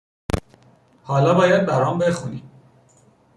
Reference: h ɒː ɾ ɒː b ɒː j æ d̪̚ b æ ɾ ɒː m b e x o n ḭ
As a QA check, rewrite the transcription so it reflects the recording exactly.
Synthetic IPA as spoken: h ɒː l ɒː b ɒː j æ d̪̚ b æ ɾ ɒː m b e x u n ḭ